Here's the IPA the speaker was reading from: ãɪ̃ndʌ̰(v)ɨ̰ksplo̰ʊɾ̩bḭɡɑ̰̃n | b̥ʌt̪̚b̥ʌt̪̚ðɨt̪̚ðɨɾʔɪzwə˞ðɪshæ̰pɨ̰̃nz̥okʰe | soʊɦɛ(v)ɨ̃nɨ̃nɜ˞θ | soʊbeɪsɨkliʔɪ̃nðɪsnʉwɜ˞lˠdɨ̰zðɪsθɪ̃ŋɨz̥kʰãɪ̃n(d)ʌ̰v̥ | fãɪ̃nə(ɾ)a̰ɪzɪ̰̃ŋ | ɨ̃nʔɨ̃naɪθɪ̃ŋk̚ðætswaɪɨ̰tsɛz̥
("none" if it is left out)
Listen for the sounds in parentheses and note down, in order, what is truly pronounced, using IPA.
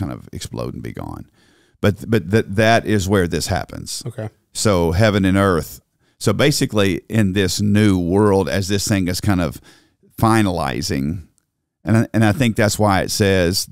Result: v, v, d, l

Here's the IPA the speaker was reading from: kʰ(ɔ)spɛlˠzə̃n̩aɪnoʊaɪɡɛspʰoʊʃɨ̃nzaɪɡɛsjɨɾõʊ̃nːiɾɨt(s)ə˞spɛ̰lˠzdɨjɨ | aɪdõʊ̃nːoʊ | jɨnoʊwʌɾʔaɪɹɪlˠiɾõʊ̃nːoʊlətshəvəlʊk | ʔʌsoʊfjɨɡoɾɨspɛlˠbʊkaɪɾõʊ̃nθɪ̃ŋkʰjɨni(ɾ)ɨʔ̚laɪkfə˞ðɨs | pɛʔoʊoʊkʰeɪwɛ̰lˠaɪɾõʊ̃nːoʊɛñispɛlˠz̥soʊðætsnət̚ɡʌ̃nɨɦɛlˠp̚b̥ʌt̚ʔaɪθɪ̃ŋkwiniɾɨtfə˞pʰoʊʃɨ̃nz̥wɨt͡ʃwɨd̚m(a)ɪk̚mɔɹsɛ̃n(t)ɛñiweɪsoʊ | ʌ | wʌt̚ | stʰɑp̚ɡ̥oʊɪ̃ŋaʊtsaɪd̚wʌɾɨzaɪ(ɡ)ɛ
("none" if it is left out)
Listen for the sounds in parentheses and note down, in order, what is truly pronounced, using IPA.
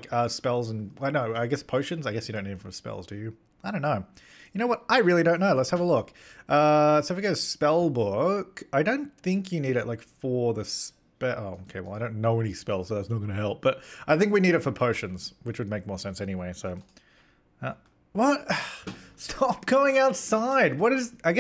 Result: ʌ, f, ɾ, e, s, ɡ

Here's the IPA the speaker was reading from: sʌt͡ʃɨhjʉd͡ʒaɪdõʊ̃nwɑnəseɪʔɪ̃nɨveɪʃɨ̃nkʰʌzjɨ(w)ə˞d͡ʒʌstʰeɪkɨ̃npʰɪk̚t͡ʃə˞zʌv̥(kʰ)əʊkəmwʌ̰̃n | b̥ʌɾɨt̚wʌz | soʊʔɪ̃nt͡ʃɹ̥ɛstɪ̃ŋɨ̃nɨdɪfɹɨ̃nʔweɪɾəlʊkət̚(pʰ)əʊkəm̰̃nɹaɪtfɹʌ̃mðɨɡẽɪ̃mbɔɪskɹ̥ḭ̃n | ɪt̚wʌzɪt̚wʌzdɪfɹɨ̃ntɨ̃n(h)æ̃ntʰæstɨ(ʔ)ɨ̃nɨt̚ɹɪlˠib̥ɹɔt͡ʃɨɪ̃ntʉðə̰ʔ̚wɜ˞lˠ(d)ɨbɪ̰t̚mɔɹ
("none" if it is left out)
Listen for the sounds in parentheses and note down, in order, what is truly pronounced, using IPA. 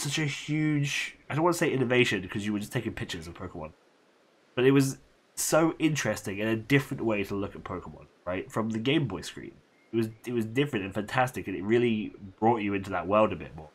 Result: w, pʰ, pʰ, f, k, d

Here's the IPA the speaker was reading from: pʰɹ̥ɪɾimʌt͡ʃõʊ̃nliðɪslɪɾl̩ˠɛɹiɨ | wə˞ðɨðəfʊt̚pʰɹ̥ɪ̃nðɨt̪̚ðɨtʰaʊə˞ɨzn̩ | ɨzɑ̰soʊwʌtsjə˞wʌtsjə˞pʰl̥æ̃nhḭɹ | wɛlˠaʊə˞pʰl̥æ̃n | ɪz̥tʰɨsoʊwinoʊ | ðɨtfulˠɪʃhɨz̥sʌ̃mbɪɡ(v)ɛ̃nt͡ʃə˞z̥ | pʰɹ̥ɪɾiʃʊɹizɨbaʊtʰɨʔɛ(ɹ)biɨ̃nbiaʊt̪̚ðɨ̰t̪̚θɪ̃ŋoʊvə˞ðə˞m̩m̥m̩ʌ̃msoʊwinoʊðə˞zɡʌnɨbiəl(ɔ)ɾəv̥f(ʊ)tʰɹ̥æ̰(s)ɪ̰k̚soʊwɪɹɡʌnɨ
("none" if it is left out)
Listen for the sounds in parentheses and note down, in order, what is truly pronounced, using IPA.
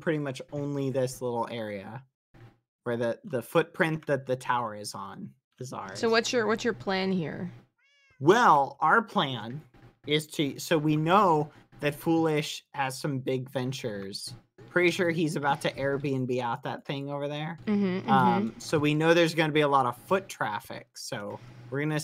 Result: v, ɹ, ɔ, ʊ, f

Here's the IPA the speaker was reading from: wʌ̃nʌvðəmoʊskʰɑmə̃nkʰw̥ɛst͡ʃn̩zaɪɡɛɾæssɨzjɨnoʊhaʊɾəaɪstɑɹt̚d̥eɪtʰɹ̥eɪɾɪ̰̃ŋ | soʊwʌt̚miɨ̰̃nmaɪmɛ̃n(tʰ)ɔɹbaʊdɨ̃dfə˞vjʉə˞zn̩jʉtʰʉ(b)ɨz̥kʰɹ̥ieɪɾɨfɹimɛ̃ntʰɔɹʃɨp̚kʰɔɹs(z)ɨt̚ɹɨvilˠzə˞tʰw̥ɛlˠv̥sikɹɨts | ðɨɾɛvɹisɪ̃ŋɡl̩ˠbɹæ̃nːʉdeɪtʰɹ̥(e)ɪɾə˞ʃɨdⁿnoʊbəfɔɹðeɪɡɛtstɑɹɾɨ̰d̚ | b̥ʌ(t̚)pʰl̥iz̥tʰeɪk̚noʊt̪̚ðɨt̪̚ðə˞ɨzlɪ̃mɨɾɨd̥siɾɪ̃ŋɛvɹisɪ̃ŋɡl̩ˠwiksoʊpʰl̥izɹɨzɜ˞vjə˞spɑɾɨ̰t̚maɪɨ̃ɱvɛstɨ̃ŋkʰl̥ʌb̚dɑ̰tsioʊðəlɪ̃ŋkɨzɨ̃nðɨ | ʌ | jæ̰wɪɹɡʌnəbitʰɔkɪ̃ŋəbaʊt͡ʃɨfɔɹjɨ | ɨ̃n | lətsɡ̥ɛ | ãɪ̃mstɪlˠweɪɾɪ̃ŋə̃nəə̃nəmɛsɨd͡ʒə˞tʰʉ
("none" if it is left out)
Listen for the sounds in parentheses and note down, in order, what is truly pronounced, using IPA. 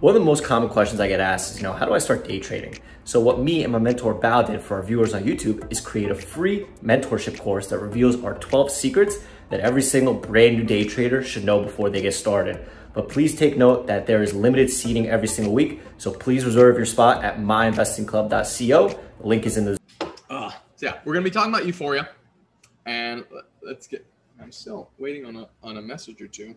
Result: tʰ, b, ð, e, t̚

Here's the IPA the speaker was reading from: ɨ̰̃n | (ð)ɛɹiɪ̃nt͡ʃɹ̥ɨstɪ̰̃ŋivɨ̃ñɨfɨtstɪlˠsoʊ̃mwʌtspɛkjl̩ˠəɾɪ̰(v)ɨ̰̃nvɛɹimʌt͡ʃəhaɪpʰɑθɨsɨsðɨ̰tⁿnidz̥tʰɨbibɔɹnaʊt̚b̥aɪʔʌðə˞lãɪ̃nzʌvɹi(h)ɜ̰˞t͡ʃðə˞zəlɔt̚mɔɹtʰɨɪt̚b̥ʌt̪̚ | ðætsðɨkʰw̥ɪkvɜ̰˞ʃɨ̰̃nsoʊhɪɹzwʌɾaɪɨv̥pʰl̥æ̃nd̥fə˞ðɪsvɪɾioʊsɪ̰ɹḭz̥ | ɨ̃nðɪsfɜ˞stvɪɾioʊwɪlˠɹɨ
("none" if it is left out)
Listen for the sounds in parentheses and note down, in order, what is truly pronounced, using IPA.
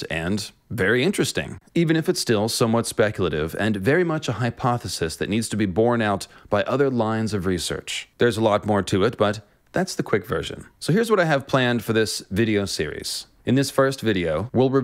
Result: v, v, s

